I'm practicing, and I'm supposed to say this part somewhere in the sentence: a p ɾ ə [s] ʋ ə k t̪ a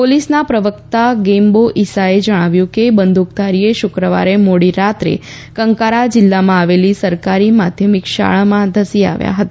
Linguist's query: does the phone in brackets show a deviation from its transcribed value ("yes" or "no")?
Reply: yes